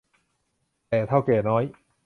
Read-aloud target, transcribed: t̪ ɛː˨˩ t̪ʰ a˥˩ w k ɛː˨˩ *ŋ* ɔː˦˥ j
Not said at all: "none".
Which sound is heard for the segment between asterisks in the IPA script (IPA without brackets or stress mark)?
n